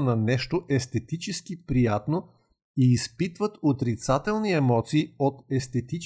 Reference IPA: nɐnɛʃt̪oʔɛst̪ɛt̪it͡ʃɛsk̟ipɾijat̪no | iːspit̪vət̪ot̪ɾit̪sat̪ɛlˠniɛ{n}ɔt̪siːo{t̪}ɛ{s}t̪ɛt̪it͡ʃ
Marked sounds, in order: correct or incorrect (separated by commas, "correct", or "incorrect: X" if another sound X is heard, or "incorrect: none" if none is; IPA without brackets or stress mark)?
incorrect: m, correct, correct